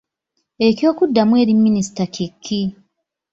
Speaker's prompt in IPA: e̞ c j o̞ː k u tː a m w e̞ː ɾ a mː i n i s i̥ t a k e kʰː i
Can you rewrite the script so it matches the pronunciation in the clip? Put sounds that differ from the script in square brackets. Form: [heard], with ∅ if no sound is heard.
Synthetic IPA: e̞ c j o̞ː k u [dː] a m w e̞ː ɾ [i] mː i n i s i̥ t a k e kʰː i

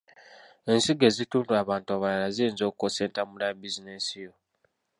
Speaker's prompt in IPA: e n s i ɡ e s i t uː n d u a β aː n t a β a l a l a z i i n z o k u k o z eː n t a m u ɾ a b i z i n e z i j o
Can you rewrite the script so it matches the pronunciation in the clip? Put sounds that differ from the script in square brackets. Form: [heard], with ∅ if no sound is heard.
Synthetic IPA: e n s i ɡ e [z] i t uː n d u a β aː n t a β a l a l a z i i n z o k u k o [s] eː n t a m u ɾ a b i z i n e [s] i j o

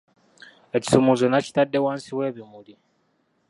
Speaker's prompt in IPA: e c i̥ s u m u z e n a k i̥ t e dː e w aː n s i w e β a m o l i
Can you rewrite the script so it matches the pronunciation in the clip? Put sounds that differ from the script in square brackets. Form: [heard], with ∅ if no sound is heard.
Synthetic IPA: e c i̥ s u m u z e n a [c] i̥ t [a] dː e w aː n s i w e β [i] m [u] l i

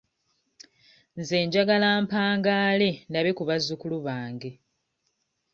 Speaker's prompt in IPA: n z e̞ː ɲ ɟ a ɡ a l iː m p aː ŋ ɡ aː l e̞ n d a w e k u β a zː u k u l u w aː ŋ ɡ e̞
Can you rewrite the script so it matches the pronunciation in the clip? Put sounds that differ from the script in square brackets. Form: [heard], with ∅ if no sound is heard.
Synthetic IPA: n z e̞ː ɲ ɟ a ɡ a l [aː] m p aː ŋ ɡ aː l e̞ n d a [β] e k u β a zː u k u l u [β] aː ŋ ɡ e̞

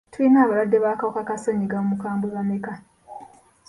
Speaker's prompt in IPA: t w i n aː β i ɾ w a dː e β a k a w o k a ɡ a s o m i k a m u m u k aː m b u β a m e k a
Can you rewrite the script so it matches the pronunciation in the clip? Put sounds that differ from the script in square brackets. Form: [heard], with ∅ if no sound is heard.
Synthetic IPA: t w i n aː β [a] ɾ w a dː e β a k a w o k a [k] a s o [ɲ] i [ɡ] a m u m u k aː m b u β a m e k a

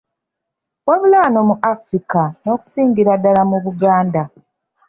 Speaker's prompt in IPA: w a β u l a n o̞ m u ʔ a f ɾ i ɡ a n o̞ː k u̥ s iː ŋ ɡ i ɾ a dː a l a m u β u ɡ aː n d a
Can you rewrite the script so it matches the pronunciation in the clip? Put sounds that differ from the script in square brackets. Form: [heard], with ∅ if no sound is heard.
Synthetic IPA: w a β u l a n o̞ m u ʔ a f ɾ i [k] a n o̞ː k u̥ s iː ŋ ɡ i ɾ a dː a l a m u β u ɡ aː n d a

